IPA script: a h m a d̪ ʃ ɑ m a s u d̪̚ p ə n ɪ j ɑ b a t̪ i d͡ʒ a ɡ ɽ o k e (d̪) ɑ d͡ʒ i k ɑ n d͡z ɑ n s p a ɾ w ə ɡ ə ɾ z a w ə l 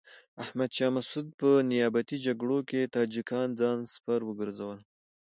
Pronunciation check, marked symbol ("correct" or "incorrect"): incorrect